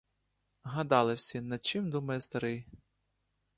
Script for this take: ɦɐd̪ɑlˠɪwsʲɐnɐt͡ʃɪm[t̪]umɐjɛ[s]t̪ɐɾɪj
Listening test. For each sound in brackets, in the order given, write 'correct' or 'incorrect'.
incorrect: d̪, correct

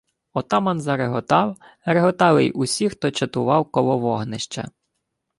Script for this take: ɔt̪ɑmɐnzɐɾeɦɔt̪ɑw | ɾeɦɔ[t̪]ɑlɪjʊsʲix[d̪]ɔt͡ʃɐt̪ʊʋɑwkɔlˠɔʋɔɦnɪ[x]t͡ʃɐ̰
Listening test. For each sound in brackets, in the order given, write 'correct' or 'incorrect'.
correct, incorrect: t̪, incorrect: ʃ

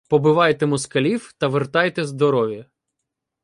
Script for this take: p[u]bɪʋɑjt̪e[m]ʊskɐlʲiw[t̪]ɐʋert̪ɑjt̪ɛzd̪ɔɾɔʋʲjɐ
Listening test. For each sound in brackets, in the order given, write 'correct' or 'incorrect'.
incorrect: ɔ, correct, correct

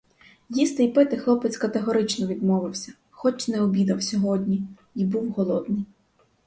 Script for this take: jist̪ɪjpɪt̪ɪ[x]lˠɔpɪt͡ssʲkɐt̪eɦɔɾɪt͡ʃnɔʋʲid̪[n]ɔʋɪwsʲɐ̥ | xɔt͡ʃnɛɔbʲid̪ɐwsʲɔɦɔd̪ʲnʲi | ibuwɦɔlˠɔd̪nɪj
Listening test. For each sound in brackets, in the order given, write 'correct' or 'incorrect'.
correct, incorrect: m

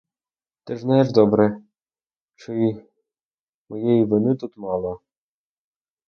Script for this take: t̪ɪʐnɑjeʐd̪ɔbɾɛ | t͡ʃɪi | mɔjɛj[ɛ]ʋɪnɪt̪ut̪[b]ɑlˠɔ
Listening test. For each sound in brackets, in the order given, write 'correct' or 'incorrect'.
incorrect: i, incorrect: m

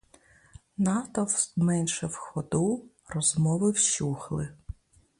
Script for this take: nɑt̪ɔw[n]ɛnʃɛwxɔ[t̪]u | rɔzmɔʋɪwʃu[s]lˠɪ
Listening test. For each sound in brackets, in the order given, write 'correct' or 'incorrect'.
incorrect: m, incorrect: d̪, incorrect: x

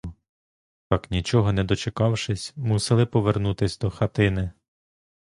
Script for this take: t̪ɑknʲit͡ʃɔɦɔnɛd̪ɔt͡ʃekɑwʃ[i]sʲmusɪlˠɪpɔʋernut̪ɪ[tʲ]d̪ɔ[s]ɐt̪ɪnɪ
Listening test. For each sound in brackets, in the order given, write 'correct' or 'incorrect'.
incorrect: ɪ, incorrect: sʲ, incorrect: x

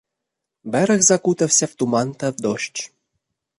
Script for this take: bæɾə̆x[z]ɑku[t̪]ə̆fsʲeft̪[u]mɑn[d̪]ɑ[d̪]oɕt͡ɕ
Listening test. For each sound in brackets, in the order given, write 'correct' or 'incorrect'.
correct, correct, correct, incorrect: t̪, correct

